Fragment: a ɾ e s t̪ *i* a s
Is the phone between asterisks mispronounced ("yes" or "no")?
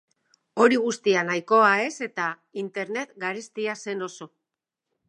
no